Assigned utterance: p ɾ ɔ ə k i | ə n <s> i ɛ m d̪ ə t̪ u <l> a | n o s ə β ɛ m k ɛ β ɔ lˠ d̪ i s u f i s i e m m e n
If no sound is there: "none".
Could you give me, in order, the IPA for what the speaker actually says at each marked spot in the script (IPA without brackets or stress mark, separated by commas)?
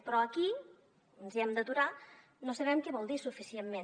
z, ɾ